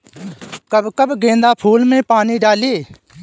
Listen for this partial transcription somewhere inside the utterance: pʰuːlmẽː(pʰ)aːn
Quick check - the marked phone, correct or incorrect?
incorrect